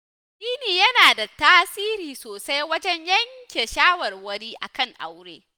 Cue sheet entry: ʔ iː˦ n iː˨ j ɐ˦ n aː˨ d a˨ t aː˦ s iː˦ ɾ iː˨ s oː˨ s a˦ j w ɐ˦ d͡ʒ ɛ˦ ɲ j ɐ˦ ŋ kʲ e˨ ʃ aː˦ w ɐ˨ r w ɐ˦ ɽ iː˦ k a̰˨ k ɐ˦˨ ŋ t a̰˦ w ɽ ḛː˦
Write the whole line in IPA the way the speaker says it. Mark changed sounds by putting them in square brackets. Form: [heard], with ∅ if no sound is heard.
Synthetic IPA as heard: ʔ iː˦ n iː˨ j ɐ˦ n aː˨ d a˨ t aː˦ s iː˦ ɾ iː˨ s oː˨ s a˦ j w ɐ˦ d͡ʒ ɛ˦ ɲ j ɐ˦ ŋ kʲ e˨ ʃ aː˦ w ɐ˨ r w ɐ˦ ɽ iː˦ [ʔ] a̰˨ k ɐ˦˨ ŋ [ʔ] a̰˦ w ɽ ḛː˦